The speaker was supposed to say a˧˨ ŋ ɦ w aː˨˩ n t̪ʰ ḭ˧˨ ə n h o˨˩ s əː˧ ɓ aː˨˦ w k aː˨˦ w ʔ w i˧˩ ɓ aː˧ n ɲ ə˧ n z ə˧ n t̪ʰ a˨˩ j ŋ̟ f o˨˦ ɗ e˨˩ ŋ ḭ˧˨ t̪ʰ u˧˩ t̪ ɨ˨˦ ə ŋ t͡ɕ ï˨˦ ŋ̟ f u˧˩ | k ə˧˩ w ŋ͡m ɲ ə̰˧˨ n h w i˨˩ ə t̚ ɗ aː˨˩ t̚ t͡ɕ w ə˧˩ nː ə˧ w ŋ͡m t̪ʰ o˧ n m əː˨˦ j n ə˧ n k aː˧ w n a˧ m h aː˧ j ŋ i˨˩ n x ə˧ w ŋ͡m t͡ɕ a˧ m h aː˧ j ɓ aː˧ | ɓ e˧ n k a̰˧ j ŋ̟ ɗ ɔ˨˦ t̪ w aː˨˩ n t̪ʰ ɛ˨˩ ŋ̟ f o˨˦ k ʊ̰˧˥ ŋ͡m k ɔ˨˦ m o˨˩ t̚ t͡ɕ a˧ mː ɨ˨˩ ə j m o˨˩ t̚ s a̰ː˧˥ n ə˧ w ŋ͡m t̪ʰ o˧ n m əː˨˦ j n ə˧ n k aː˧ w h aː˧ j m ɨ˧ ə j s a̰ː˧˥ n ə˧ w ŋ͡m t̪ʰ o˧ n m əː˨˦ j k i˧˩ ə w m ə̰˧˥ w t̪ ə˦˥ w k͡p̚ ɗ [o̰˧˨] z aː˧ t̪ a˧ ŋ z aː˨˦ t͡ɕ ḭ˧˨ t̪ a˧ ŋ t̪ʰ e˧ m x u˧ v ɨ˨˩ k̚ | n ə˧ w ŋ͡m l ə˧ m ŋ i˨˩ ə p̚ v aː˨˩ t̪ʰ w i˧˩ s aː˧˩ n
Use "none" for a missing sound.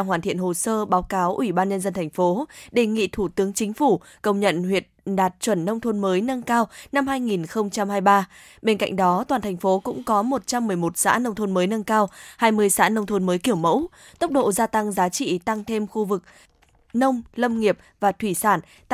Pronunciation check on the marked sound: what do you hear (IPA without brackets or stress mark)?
o̰˧˨